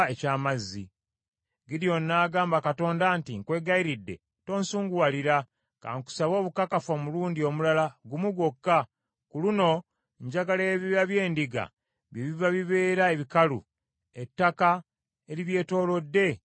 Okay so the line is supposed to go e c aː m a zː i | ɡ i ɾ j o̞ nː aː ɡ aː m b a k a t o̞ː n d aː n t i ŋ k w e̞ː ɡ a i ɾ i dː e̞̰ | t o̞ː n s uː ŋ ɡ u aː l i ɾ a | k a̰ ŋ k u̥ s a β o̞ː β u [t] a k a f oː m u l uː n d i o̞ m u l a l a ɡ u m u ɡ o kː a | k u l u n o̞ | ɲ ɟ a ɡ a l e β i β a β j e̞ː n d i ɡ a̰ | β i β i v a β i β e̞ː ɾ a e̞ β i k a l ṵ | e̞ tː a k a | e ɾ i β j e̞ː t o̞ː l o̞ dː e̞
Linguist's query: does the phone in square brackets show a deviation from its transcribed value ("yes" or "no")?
yes